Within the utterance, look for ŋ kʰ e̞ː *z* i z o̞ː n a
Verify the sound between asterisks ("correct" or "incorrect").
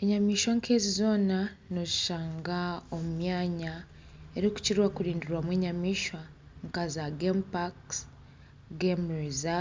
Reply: correct